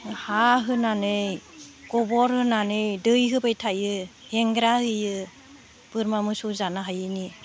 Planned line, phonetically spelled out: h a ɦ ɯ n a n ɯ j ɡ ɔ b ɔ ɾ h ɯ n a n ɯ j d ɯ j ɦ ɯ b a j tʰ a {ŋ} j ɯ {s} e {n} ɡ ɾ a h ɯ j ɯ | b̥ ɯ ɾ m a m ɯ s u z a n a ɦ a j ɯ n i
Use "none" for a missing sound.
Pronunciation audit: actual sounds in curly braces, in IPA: none, h, ŋ

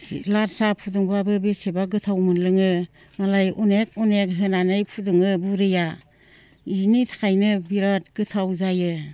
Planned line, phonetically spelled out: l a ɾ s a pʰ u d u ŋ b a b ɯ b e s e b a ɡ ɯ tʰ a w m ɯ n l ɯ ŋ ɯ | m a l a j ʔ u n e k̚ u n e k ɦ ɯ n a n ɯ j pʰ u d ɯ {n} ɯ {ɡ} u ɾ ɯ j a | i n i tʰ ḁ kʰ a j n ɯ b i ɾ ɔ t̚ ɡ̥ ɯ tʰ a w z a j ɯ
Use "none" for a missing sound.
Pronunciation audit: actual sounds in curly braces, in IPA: ŋ, b

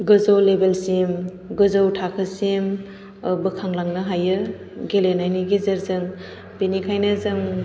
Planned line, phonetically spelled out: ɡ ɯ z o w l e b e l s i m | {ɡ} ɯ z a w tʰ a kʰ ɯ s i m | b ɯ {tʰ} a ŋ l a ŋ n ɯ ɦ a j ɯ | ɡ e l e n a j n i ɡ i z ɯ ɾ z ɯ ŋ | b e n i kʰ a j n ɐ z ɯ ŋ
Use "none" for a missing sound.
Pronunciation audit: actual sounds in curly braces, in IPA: ɡ, kʰ

